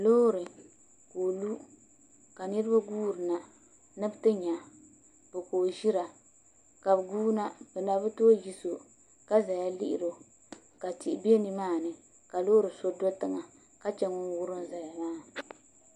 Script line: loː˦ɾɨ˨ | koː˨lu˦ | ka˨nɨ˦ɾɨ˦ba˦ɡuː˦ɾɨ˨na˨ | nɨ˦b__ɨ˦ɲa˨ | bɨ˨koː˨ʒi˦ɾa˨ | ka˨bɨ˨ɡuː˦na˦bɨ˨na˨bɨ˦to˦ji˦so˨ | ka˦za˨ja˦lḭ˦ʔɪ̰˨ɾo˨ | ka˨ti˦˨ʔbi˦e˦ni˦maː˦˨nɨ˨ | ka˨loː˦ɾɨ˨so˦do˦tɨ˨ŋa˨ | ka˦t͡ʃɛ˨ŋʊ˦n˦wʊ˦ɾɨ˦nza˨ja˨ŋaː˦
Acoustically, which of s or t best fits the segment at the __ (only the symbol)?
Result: t